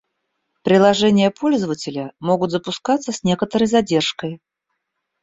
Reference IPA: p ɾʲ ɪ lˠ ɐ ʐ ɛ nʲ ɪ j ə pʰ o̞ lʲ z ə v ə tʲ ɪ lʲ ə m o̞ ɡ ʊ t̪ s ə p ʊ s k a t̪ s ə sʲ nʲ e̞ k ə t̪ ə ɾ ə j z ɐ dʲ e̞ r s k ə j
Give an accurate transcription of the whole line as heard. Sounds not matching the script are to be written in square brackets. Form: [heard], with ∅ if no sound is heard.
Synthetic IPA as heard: p ɾʲ ɪ lˠ ɐ ʐ ɛ nʲ ɪ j ə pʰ o̞ lʲ z ə v ə tʲ ɪ lʲ ə m o̞ ɡ ʊ t̪ [z] ə p ʊ s k a t̪ s ə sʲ nʲ e̞ k ə t̪ ə ɾ ə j z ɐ dʲ e̞ r [ʂ] k ə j